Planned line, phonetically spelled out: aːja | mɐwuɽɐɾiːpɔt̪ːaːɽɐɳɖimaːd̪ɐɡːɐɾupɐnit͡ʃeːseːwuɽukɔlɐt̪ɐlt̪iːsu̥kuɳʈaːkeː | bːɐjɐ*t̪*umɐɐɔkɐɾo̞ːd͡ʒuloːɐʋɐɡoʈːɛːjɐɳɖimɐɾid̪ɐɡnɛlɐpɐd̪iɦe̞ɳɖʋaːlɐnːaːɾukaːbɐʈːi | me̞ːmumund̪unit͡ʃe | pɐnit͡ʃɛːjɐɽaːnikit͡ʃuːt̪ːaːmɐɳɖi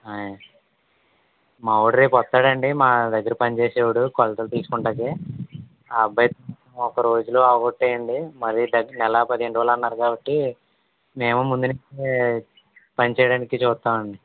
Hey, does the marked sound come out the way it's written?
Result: yes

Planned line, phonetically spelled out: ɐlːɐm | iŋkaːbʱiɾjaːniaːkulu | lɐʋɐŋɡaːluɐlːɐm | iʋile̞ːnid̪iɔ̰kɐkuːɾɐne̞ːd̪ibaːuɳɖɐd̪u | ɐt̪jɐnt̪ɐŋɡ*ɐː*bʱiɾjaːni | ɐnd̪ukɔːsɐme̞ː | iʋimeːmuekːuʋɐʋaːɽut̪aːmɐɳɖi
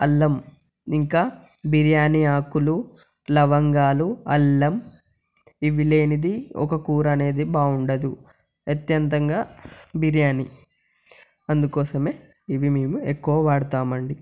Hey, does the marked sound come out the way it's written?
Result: no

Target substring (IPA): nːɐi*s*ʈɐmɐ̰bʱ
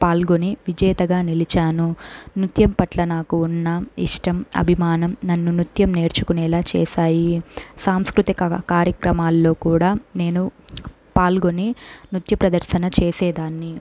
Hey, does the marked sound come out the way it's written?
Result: no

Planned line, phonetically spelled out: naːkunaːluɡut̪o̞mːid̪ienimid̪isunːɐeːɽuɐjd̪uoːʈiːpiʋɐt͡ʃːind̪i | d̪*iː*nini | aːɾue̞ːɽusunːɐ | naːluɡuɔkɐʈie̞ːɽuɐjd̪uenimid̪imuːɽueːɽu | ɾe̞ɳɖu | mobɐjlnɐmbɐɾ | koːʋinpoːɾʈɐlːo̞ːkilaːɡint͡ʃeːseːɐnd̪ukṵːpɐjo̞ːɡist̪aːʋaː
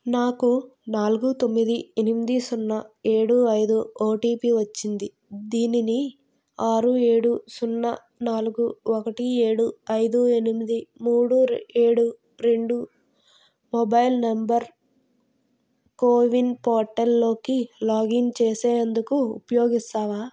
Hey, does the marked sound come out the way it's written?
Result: yes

